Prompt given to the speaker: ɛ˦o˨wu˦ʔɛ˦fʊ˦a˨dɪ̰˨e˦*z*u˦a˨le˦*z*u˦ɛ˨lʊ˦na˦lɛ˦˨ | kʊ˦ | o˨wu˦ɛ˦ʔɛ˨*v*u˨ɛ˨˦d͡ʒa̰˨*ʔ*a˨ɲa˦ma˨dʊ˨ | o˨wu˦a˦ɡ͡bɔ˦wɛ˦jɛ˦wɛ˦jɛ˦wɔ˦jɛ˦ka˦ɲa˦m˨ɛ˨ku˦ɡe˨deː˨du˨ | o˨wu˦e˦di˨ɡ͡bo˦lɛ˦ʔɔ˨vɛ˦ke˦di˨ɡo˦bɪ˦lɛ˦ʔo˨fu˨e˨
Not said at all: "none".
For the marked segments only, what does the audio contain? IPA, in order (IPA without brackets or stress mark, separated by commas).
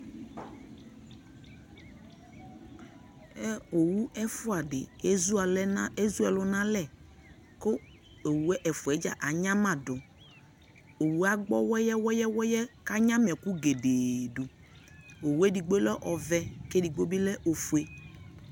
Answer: z, z, f, ʔ